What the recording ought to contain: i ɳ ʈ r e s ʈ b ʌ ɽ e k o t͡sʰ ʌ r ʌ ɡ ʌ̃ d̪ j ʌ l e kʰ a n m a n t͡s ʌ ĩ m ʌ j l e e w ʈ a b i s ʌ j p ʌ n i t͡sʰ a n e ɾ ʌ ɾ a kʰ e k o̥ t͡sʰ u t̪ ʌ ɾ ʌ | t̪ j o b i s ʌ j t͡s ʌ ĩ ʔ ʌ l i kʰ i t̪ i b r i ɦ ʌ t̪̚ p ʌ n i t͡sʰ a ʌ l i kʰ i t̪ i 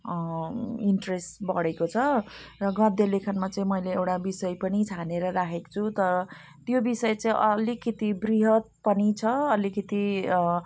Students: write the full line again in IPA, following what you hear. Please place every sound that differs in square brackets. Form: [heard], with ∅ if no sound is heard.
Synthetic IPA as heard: i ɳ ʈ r e s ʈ b ʌ ɽ e k o t͡sʰ ʌ r ʌ ɡ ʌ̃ d̪ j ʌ l e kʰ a n m a [∅] t͡s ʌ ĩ m ʌ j l e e w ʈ a b i s ʌ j p ʌ n i t͡sʰ a n e ɾ ʌ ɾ a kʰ e k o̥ t͡sʰ u t̪ ʌ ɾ ʌ | t̪ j o b i s ʌ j t͡s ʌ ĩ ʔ ʌ l i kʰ i t̪ i b r i ɦ ʌ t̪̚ p ʌ n i t͡sʰ [ʌ] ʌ l i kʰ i t̪ i